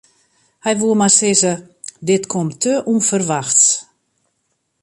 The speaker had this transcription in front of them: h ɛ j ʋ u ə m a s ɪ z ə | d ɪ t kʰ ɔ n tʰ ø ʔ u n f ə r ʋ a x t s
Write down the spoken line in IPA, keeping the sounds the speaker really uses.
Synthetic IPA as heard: h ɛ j ʋ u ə m a s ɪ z ə | d ɪ t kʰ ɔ m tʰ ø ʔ u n f ə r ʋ a x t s